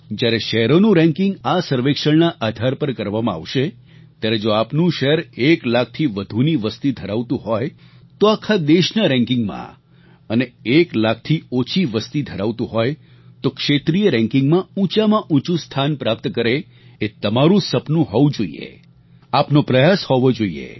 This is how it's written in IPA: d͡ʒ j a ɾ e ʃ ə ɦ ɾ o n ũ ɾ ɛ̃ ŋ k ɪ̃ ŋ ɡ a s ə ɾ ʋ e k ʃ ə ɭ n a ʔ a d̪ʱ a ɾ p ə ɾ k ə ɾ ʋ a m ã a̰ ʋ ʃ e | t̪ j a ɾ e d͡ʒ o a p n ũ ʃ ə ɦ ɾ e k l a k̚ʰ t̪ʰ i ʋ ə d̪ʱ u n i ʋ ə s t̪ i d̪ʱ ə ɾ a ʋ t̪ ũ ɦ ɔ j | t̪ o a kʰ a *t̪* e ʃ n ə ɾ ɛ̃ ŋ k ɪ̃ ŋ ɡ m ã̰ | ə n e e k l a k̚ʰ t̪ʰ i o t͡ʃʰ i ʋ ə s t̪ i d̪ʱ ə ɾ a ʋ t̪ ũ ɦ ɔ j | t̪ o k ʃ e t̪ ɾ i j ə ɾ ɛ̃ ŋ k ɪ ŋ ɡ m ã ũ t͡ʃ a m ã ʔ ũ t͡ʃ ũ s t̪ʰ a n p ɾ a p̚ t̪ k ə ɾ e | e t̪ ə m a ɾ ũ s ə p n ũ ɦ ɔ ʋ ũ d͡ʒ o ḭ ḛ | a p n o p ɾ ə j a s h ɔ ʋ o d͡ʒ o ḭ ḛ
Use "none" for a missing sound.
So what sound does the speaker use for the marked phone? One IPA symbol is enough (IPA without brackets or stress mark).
d̪